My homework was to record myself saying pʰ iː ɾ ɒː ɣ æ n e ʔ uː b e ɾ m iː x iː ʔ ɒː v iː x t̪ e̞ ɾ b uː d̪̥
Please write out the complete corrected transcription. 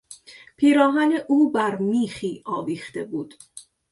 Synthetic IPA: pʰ iː ɾ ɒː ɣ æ n e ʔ uː b æ ɾ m iː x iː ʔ ɒː v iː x t̪ e̞ b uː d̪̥